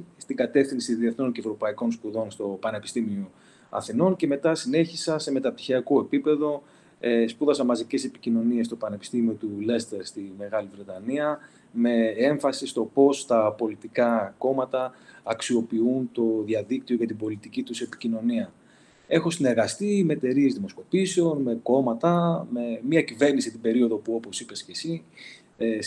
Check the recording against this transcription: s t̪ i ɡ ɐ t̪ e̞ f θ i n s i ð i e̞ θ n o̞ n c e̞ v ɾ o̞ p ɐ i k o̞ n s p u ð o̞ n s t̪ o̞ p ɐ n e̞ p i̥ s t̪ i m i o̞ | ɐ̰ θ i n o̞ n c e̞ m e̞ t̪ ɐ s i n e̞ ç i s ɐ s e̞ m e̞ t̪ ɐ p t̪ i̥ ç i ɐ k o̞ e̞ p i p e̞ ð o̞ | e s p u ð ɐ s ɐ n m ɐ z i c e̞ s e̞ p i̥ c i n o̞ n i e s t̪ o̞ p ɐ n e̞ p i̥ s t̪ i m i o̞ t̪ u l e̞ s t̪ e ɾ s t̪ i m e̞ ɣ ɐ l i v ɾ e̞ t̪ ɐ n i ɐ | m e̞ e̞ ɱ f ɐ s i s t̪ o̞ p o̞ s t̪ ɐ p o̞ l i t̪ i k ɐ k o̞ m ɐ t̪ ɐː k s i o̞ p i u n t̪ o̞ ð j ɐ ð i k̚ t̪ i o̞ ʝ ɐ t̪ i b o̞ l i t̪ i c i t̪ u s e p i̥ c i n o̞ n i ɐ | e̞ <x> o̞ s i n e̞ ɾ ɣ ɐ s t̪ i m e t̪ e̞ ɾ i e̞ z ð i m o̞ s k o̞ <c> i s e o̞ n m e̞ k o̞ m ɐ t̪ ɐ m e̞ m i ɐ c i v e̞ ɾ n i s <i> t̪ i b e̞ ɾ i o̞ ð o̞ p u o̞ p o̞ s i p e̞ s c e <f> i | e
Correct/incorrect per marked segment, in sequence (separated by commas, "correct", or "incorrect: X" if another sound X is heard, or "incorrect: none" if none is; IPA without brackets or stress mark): correct, incorrect: p, correct, incorrect: s